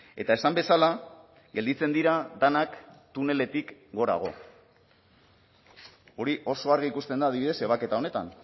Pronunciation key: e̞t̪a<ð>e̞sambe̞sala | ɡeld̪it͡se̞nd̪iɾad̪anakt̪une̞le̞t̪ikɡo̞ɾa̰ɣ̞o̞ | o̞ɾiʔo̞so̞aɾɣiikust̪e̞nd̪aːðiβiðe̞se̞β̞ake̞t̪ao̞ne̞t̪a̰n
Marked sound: incorrect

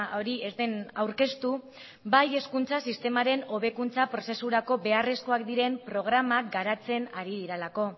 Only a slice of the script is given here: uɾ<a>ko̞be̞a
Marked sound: correct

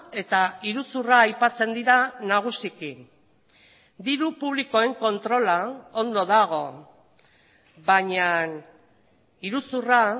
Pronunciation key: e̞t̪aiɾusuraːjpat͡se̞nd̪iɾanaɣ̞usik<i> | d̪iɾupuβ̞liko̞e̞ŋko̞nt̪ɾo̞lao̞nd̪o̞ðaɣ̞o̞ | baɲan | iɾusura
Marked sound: correct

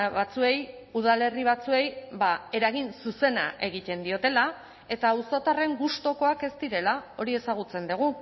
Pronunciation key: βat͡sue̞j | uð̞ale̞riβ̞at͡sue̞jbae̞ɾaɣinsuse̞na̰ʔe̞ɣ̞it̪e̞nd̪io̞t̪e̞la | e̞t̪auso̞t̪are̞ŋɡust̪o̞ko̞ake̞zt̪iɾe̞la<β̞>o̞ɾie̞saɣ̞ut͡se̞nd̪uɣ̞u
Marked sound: incorrect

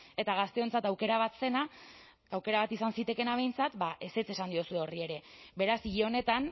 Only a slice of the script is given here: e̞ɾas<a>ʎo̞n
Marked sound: incorrect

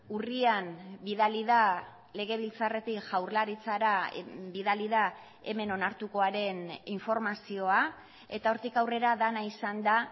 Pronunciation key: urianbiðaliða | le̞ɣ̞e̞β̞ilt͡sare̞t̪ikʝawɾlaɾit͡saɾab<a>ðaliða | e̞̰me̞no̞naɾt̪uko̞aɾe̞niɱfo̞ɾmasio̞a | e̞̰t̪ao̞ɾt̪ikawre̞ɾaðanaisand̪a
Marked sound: incorrect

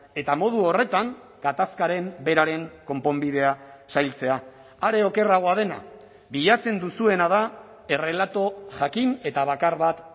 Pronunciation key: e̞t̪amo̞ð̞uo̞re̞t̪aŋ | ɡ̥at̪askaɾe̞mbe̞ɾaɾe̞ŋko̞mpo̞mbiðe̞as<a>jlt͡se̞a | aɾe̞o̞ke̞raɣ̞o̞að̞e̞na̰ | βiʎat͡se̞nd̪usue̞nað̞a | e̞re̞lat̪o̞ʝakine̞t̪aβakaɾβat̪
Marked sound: correct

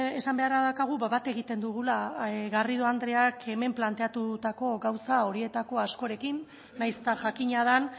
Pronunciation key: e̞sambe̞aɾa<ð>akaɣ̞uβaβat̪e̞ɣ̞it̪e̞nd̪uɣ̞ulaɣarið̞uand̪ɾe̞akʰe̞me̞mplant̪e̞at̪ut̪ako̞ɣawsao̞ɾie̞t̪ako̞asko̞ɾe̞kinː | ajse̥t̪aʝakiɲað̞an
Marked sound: correct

